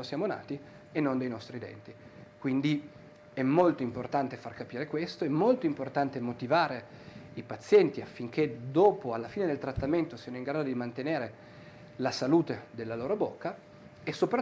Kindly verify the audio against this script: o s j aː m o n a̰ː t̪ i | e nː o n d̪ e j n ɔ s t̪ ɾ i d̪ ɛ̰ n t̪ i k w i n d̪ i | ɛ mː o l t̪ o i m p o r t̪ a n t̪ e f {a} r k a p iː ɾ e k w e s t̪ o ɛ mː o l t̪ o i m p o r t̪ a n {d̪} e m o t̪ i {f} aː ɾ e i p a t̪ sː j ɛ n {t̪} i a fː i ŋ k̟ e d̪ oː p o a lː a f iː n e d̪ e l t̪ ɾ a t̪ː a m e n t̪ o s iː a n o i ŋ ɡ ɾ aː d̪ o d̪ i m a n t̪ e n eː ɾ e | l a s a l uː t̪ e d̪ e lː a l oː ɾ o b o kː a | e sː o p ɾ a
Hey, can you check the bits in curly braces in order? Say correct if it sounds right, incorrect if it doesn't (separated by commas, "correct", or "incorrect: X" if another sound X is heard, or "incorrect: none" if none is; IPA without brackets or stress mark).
correct, incorrect: t̪, incorrect: v, correct